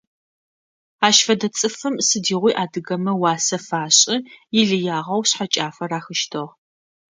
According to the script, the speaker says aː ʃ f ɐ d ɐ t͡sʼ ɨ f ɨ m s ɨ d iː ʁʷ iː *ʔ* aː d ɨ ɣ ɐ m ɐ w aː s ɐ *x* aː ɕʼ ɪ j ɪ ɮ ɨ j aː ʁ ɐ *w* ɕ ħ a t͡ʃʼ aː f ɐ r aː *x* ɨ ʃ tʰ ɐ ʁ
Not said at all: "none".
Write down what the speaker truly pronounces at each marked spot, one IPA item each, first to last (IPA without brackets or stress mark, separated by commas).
ʔ, f, w, x